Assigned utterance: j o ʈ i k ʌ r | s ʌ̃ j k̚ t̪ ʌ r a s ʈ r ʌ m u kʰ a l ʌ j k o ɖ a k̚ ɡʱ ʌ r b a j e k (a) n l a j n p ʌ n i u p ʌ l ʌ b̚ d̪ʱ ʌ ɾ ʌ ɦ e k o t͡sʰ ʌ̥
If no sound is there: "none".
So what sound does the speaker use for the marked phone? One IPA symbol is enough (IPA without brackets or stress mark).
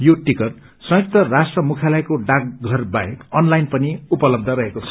ʌ